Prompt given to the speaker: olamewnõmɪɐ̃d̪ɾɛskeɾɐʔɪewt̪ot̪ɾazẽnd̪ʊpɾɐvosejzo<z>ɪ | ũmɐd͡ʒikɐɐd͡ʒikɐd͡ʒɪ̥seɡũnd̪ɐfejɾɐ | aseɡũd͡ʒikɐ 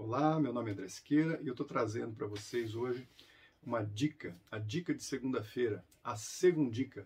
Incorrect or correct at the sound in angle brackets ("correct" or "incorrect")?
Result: incorrect